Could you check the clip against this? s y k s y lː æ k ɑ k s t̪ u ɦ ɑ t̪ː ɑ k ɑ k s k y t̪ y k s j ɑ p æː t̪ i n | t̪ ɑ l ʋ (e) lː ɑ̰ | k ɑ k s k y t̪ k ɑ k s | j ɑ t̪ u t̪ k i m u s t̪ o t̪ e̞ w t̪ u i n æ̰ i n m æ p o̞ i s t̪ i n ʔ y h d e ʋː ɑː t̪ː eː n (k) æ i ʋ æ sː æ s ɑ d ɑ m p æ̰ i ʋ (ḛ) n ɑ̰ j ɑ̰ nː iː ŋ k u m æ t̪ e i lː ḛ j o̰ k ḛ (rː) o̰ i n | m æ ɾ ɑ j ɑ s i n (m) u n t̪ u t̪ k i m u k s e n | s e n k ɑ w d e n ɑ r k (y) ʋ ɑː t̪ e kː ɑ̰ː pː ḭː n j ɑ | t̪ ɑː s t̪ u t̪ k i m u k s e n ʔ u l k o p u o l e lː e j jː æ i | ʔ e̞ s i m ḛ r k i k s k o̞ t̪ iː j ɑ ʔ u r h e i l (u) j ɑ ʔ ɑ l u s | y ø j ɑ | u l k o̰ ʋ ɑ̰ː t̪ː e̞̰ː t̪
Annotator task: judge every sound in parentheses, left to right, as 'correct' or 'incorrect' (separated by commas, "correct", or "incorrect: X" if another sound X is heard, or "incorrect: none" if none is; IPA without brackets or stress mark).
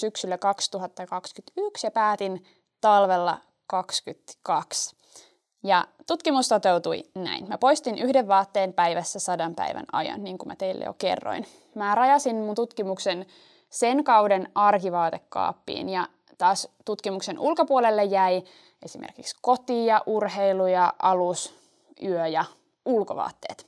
correct, incorrect: p, incorrect: æ̰, correct, correct, incorrect: i, correct